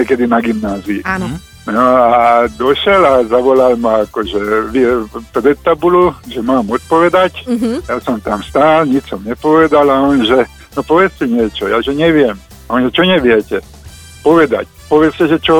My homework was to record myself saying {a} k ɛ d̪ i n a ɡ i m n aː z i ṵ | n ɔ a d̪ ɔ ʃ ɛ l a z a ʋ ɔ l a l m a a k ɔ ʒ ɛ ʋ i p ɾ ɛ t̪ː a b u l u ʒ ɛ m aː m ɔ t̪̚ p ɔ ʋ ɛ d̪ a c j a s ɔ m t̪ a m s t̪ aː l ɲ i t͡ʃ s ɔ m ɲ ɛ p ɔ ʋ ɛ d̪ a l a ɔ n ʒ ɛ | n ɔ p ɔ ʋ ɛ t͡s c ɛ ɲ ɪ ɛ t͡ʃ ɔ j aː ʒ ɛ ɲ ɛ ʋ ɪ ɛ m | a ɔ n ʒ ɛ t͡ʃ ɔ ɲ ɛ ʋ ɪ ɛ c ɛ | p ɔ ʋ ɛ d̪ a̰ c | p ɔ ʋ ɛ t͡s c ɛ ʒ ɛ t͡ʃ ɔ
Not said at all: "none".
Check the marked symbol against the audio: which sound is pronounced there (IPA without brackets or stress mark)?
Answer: ɛ